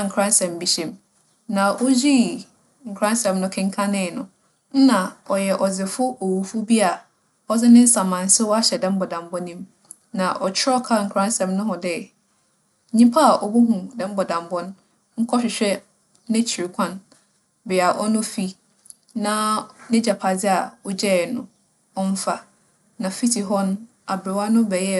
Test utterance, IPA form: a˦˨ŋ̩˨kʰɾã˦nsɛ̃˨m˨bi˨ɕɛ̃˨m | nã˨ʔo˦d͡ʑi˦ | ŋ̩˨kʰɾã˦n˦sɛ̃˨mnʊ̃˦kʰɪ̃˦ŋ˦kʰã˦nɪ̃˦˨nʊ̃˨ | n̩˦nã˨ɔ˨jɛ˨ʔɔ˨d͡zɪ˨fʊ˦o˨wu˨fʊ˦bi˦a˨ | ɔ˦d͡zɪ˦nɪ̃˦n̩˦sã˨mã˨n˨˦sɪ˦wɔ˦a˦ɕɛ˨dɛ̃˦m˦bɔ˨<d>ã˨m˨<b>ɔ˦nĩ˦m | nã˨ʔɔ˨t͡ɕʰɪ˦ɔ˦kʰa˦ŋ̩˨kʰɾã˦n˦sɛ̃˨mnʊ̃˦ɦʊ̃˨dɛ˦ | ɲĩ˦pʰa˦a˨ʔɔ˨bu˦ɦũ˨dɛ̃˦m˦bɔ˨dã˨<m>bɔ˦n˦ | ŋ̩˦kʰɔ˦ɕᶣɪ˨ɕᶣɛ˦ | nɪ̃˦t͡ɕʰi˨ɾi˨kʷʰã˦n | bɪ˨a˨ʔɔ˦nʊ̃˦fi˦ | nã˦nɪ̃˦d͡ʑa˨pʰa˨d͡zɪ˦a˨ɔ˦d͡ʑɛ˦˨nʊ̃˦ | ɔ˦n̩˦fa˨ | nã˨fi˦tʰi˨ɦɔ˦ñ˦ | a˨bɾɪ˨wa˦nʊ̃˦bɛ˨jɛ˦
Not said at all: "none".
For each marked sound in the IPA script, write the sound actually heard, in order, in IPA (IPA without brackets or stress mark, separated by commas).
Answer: d, b, m